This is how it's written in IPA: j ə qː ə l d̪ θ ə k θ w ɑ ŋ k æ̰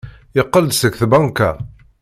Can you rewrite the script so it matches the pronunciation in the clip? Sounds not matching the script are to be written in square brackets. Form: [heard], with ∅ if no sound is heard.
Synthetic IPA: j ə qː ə l d̪ [s] ə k θ [b] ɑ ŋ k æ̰